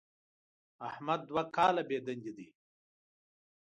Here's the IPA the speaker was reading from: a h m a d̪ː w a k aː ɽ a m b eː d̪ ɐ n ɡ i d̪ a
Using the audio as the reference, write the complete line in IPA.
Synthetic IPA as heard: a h m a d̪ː w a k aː l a b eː d̪ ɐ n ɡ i d̪ i